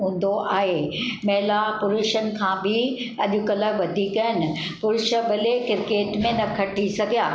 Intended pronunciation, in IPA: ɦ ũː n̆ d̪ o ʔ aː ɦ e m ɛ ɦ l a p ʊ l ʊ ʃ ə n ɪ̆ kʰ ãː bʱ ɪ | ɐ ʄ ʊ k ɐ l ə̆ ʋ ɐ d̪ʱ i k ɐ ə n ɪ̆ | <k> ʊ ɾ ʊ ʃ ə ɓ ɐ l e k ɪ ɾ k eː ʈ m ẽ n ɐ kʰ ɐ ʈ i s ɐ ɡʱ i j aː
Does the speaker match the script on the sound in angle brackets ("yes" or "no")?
no